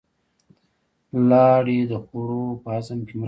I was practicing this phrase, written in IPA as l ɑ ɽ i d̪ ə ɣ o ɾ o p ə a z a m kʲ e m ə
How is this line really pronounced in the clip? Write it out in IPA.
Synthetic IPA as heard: l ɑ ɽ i d̪ ə x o ɾ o p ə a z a m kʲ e m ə